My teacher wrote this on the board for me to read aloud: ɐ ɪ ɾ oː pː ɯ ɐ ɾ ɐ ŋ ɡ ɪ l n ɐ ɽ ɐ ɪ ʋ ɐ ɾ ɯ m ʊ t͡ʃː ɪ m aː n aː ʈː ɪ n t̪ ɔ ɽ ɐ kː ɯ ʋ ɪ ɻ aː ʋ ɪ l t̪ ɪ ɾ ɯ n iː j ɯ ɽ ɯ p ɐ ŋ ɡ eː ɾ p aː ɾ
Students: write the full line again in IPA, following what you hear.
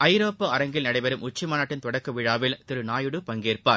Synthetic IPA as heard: ɐ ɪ ɾ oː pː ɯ ɐ ɾ ɐ ŋ ɡ ɪ l n ɐ ɽ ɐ ɪ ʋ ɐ ɾ ɯ m ʊ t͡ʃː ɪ m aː n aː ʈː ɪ n t̪ ɔ ɽ ɐ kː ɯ ʋ ɪ ɻ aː ʋ ɪ l t̪ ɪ ɾ ɯ n aː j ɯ ɽ ɯ p ɐ ŋ ɡ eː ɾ p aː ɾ